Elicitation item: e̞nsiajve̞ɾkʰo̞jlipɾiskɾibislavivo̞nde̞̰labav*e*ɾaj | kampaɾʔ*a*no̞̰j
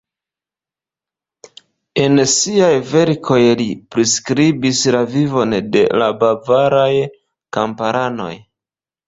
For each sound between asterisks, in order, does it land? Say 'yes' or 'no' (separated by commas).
no, yes